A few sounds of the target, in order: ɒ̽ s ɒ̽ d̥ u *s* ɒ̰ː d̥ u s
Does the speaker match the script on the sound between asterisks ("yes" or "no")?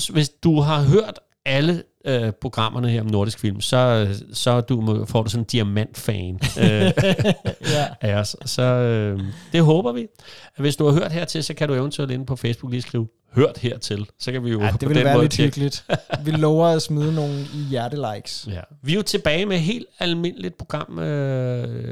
no